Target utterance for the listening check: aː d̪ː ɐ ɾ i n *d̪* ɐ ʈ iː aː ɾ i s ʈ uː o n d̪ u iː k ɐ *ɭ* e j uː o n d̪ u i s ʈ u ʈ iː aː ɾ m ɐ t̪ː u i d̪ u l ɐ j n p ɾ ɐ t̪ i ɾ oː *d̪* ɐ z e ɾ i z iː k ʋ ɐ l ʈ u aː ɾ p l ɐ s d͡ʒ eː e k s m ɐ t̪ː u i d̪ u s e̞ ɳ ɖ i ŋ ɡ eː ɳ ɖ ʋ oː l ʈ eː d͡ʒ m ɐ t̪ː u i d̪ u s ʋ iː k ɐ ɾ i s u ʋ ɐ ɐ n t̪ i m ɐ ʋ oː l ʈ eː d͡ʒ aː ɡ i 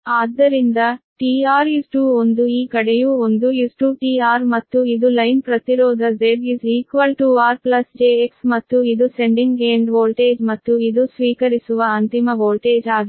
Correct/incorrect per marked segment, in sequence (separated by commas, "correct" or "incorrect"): correct, incorrect, correct